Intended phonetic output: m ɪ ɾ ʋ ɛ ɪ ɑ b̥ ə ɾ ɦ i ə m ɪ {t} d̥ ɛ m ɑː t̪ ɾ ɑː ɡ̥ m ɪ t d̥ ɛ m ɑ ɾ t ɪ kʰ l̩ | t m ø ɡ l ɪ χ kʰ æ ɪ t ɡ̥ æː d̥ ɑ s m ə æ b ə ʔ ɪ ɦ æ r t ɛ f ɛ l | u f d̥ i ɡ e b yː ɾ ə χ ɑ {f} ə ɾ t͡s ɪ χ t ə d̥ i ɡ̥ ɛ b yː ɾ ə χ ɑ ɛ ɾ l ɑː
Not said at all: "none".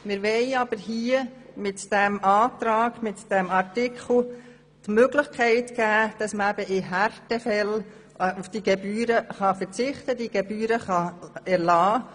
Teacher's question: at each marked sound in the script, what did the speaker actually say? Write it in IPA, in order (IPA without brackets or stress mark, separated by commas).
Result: t, f